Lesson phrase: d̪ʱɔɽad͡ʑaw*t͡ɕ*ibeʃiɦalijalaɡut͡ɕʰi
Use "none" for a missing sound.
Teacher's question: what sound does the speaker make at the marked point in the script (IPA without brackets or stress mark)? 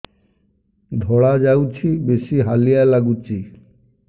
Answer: t͡ɕʰ